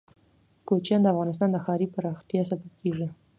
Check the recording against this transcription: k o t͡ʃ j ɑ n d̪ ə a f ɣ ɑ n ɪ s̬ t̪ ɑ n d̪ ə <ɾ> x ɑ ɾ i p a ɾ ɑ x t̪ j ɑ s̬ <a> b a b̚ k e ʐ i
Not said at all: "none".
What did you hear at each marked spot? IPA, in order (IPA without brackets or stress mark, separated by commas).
none, a